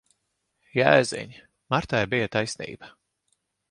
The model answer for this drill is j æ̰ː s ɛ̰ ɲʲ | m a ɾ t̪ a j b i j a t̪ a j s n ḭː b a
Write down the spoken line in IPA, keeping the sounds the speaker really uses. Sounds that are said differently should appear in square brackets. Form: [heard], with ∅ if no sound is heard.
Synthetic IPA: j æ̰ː [z] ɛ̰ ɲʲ | m a ɾ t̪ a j b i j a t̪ a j s n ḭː b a